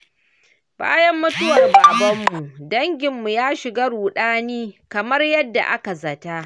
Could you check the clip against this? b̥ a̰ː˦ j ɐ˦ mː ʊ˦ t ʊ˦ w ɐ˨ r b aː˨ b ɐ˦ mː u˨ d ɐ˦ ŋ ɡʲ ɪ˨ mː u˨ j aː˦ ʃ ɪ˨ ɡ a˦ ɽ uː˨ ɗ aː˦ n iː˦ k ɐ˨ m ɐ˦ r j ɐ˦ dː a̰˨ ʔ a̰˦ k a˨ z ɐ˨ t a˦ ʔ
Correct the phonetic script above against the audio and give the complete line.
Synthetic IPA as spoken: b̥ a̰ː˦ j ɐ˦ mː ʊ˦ t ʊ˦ w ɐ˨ r b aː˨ b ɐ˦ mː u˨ d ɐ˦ ŋ ɡʲ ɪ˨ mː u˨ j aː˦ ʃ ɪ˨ ɡ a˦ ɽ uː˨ ɗ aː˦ n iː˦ k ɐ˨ m ɐ˦ r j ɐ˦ dː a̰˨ ʔ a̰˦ k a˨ z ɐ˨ t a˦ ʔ